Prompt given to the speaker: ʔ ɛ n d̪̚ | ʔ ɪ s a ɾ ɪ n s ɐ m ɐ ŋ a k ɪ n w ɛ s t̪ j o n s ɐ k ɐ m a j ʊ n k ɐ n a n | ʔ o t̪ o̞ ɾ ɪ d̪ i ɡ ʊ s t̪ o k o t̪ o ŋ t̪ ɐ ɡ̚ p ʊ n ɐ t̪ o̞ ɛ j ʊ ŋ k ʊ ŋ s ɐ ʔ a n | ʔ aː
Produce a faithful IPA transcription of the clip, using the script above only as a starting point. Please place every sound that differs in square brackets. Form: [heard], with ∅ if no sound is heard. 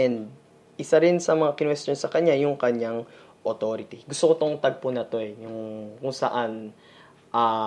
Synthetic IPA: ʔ ɛ n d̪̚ | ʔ ɪ s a ɾ ɪ n s ɐ m ɐ ŋ a k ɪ n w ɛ s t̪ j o n s ɐ k ɐ [ɲ] a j ʊ [ŋ] k ɐ [ɲ] a [ŋ] | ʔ o t̪ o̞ ɾ ɪ [t̪] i ɡ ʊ s t̪ o k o t̪ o ŋ t̪ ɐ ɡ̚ p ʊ n ɐ t̪ o̞ ɛ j ʊ ŋ k ʊ ŋ s ɐ ʔ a n | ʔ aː